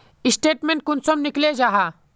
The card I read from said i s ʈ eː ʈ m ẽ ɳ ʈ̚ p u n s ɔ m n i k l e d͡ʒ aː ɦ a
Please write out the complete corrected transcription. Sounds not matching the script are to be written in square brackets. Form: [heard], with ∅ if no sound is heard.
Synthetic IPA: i s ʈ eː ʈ m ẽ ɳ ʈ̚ [k] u n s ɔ m n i k l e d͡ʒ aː ɦ a